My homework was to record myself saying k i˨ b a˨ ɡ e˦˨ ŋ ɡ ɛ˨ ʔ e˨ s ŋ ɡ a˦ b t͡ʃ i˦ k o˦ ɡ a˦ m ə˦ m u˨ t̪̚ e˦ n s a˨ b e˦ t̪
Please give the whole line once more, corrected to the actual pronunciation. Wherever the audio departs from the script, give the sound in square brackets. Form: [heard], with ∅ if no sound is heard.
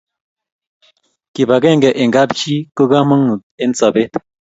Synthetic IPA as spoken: k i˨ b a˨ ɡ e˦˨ ŋ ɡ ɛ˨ ʔ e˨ [∅] ŋ ɡ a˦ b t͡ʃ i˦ k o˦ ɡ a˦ m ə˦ [ŋ] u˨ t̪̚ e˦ n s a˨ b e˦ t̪